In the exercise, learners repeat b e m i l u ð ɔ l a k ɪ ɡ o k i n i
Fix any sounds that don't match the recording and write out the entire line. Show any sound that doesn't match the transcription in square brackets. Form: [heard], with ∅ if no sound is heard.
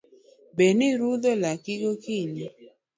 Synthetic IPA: b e [n] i [ɾ] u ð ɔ l a k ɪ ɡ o k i [ɲ] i